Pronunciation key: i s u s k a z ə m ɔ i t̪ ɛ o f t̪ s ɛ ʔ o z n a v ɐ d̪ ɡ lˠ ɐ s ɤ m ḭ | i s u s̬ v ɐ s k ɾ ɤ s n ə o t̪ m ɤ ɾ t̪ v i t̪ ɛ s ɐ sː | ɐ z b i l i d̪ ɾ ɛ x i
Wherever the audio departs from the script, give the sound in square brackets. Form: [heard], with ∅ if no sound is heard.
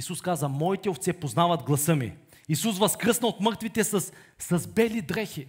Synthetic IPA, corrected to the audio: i s u s k a z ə m ɔ i t̪ ɛ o f t̪ s ɛ [p] o z n a v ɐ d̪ ɡ lˠ ɐ s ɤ m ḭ | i s u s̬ v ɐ s k ɾ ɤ s n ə o t̪ m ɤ ɾ t̪ v i t̪ ɛ s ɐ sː | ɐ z b [ɛ] l i d̪ ɾ ɛ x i